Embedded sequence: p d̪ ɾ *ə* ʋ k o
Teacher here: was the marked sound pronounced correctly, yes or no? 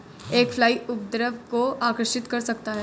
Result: yes